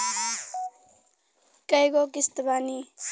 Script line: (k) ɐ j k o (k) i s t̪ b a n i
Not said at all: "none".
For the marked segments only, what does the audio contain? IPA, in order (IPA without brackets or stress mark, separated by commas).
k, k